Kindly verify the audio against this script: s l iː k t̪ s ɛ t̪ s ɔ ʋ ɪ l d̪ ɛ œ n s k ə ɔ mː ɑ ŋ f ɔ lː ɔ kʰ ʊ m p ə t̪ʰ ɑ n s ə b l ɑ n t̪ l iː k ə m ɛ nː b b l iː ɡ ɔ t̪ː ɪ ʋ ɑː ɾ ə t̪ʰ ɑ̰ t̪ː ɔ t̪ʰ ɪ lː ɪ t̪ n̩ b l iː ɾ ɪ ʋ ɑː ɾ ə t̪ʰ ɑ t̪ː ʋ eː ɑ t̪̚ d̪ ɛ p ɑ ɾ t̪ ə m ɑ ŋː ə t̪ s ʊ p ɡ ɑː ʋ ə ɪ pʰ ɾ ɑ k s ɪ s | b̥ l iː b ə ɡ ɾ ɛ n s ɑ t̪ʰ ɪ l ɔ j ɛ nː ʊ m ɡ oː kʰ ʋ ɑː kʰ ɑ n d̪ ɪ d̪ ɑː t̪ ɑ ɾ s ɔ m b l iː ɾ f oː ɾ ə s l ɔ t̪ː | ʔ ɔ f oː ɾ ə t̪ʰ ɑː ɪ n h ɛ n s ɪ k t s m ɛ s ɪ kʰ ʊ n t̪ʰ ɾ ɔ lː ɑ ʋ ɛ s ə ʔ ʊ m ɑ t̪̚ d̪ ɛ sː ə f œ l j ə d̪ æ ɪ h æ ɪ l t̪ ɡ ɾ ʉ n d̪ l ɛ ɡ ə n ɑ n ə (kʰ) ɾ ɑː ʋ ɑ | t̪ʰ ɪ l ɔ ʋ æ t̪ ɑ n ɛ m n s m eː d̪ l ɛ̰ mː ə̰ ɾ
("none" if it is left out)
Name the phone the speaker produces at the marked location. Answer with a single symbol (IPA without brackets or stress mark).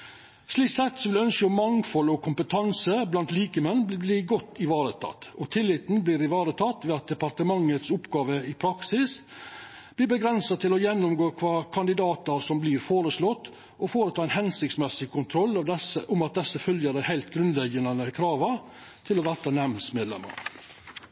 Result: kʰ